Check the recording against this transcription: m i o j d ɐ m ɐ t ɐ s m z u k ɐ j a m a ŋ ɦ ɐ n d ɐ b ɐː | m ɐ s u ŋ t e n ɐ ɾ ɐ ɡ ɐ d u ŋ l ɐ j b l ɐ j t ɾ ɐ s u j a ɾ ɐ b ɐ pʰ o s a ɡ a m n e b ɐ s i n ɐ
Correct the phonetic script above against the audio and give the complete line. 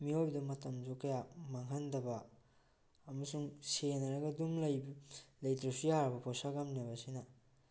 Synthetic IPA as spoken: m i o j d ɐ m ɐ t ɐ m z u k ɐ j a m a ŋ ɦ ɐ n d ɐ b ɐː | m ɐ s u ŋ s e n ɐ ɾ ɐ ɡ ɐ d u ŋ l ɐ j b l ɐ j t ɾ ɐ s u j a ɾ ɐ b ɐ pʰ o s a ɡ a m n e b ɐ s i n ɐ